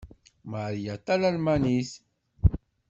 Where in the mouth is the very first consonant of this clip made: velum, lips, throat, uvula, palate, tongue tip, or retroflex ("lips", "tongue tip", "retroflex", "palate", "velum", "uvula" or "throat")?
lips